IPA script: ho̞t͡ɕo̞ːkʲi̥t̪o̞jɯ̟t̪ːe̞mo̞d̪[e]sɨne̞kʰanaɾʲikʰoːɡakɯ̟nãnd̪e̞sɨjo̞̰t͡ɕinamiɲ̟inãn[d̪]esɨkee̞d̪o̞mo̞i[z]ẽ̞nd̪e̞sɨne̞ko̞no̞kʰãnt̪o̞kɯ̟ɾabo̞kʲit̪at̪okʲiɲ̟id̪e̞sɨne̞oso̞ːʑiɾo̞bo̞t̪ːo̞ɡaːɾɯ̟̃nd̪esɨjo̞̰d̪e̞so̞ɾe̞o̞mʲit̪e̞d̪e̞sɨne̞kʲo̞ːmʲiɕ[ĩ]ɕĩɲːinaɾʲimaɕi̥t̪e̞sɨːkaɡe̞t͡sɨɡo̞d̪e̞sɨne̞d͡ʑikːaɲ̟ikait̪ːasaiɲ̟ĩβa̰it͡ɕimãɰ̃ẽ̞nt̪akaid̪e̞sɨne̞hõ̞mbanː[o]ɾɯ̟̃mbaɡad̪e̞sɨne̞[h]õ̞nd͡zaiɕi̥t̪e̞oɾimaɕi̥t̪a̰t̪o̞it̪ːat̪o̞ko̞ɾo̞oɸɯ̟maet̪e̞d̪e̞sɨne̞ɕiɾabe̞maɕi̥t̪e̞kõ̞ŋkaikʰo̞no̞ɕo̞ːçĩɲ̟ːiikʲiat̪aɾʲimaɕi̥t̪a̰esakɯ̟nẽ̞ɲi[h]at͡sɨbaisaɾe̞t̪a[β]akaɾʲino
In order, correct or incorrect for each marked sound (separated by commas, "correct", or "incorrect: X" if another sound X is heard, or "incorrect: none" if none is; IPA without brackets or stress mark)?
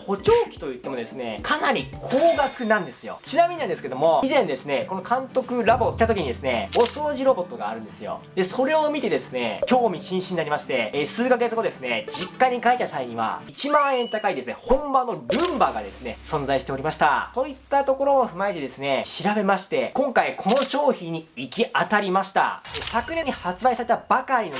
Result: correct, correct, correct, correct, correct, incorrect: s, correct, incorrect: b